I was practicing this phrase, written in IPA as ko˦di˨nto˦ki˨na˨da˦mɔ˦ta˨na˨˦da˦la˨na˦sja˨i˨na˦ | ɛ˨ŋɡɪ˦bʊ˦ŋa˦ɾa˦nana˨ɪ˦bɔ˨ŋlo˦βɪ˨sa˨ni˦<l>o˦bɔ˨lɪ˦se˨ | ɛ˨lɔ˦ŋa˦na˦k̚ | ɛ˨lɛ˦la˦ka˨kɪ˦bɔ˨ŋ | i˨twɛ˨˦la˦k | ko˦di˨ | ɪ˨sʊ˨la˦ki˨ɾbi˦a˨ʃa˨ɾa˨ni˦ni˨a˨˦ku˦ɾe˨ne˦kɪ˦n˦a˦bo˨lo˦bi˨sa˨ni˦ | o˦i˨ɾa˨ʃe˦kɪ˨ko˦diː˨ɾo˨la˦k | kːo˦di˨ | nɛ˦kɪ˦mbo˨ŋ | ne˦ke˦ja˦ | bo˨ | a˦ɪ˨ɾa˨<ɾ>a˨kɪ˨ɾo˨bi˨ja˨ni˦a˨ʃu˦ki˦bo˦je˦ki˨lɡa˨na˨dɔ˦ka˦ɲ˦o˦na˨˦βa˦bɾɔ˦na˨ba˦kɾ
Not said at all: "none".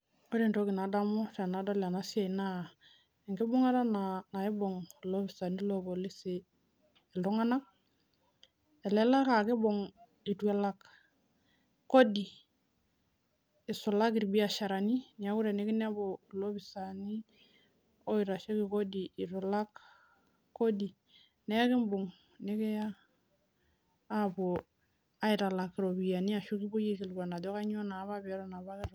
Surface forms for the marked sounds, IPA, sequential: l, l

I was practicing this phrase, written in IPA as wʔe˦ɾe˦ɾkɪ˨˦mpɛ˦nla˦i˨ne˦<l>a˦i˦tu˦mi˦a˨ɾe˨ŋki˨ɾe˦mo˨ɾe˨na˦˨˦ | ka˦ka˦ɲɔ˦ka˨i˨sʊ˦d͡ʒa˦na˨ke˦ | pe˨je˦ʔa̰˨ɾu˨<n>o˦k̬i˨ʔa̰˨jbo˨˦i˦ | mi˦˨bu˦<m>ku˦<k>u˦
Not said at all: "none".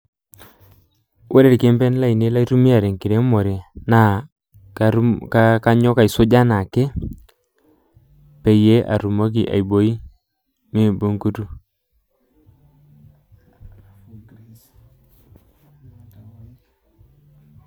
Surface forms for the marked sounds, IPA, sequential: l, m, ŋ, t

